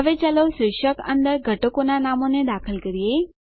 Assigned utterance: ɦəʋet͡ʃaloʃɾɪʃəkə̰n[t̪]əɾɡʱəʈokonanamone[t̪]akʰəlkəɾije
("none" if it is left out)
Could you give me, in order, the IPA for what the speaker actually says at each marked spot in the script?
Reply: d̪, d̪

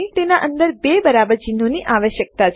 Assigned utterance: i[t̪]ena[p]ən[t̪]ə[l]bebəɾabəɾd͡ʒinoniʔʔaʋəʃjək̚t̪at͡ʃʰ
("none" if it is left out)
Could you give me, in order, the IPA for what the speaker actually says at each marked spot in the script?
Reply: t̪, ʔ, d̪, ɾ

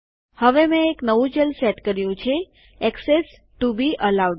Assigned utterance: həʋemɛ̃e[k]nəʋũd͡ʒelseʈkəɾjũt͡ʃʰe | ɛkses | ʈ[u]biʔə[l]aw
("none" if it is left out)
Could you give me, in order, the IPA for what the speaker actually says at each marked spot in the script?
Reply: k, u, l

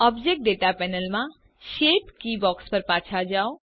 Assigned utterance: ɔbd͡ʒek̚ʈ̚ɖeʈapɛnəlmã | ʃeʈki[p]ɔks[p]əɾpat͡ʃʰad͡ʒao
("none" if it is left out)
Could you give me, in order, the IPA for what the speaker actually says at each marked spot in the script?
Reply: b, p

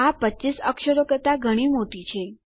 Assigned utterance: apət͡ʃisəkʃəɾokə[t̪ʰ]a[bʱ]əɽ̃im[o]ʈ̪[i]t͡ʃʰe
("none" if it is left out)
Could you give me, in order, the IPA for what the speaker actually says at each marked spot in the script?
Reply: t̪, ɡʱ, o, i

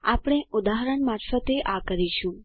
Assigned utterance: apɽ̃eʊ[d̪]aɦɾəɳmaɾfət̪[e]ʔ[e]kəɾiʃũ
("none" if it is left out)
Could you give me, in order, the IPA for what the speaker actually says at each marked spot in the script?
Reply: d̪, e, a

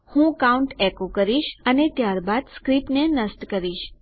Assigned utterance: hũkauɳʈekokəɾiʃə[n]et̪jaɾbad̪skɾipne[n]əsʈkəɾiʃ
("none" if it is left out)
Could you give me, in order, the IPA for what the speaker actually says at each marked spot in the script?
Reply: n, n

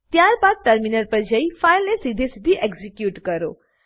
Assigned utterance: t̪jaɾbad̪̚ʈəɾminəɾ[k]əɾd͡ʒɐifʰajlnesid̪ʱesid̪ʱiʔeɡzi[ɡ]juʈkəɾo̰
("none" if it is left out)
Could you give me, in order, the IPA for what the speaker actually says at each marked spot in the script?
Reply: p, k

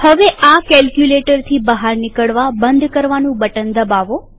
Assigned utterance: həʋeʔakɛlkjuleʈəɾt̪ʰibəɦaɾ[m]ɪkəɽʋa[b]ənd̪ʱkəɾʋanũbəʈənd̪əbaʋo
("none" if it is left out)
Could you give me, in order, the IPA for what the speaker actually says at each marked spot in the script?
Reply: n, b

